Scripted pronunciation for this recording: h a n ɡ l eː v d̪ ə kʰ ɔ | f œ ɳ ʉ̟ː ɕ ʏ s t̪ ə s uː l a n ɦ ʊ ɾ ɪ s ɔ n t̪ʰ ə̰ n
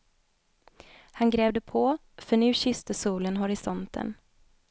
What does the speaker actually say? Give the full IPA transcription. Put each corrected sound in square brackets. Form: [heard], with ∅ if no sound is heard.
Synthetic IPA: h a n ɡ [ɾ] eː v d̪ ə [pʰ] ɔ | f œ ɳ ʉ̟ː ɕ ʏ s t̪ ə s uː l [ə] n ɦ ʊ ɾ ɪ s ɔ n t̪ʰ ə̰ n